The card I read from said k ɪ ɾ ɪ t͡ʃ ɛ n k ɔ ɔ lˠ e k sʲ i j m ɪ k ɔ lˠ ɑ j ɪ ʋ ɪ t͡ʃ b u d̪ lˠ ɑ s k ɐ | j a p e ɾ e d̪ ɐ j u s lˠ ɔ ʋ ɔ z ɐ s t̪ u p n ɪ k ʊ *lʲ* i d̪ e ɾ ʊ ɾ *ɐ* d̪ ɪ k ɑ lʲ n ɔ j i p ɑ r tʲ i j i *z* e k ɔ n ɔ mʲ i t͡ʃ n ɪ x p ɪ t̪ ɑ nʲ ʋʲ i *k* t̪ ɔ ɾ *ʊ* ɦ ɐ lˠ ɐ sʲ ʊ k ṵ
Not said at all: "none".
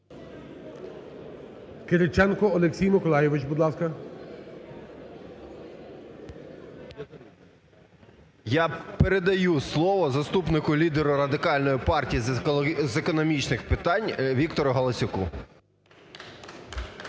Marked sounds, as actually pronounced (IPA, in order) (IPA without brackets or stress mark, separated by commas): lʲ, ɐ, z, k, ʊ